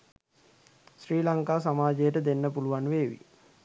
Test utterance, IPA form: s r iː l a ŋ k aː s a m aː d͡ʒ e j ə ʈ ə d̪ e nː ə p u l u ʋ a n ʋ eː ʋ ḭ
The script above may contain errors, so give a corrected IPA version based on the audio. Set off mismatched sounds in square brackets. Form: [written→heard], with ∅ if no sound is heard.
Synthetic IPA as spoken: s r iː l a ŋ k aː s a m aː d͡ʒ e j ə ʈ ə d̪ e nː ə p u l u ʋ a n ʋ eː ʋ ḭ